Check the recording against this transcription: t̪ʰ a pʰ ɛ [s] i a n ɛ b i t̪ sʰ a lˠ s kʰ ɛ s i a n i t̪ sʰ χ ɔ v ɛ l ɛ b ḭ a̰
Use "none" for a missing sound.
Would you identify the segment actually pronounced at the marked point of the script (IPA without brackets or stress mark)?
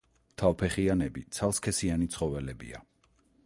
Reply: χ